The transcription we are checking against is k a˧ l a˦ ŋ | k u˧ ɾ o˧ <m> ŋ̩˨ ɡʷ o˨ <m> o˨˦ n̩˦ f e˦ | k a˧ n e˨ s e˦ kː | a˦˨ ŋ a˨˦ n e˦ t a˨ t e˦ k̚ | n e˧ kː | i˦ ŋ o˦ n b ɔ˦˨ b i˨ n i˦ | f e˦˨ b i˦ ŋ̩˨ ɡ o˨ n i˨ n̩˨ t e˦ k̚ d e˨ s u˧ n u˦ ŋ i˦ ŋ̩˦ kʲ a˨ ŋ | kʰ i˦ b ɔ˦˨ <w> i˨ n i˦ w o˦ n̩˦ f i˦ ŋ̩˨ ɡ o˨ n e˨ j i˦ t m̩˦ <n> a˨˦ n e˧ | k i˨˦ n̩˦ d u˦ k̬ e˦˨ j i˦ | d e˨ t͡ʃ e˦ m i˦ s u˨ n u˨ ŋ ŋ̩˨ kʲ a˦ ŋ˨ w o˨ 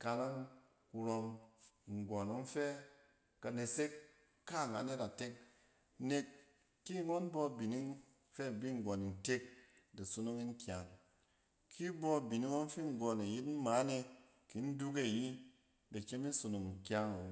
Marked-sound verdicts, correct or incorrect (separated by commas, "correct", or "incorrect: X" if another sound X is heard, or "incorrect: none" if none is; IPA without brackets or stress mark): correct, incorrect: n, incorrect: b, incorrect: m